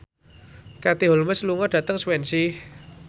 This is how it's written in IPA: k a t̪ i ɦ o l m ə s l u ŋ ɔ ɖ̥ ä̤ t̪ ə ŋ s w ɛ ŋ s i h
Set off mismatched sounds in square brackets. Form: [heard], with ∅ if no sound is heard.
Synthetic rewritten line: k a t̪ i ɦ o l m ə s l u ŋ ɔ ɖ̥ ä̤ t̪ ə ŋ s w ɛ [n] s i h